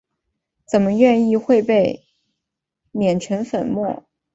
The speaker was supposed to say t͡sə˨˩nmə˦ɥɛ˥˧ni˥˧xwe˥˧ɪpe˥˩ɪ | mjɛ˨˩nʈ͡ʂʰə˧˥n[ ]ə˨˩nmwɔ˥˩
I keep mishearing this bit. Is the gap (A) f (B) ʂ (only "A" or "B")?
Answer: A